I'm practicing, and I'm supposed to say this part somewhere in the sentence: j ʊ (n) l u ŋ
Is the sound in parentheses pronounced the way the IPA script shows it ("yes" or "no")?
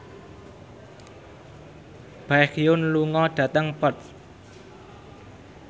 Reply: yes